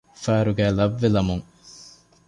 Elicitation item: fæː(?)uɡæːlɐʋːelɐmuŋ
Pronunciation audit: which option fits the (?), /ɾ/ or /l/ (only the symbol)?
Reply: ɾ